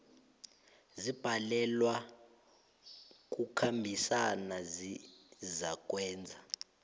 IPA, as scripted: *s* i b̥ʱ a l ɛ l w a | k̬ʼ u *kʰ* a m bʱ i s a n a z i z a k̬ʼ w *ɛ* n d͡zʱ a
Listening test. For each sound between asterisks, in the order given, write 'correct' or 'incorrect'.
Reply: incorrect: z, correct, incorrect: ɛː

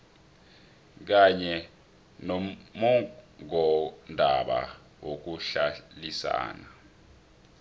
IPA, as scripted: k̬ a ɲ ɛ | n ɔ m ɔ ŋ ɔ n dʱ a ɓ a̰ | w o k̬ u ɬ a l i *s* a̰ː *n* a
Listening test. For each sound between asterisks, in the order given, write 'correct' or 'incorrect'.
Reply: correct, correct

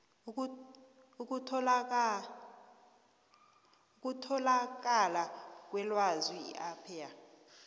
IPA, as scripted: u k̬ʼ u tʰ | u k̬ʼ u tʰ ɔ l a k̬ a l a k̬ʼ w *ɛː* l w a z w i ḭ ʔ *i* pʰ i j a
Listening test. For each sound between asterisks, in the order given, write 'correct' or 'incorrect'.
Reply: incorrect: ɛ, incorrect: a

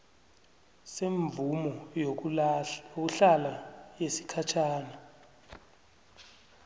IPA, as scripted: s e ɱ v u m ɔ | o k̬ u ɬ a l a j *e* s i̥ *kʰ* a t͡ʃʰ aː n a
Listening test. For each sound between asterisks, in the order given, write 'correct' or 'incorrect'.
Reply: correct, correct

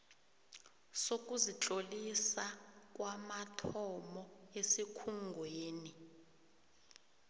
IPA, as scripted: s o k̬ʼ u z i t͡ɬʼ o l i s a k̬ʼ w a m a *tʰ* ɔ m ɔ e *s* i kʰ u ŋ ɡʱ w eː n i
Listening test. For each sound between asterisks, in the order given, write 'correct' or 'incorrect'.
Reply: correct, correct

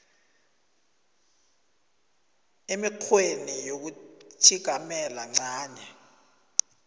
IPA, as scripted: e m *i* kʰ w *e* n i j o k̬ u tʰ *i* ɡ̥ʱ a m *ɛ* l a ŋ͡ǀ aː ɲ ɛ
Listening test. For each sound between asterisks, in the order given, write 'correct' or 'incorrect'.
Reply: correct, correct, correct, correct

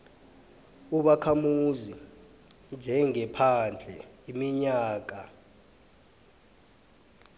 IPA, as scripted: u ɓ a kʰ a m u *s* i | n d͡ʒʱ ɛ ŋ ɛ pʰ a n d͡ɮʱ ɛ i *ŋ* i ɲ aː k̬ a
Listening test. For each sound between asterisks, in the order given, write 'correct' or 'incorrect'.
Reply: incorrect: z, incorrect: m

